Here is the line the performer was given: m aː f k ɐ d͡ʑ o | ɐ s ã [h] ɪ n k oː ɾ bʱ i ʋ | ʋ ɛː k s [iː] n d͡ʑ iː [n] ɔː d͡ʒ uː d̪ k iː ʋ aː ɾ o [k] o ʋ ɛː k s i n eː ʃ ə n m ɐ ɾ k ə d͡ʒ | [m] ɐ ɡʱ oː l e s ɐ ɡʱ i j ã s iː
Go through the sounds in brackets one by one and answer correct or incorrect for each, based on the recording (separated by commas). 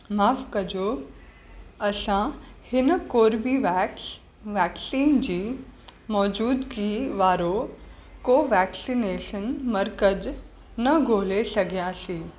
correct, correct, incorrect, correct, incorrect